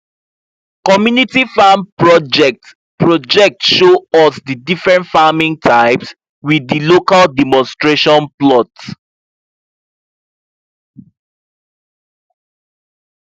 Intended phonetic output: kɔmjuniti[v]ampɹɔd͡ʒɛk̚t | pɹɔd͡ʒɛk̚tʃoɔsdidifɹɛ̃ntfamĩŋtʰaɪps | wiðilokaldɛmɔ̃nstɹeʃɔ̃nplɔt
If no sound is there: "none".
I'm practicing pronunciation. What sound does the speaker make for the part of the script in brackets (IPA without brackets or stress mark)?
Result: f